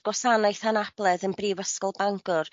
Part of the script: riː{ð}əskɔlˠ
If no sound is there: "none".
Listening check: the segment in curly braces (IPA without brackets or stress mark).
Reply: v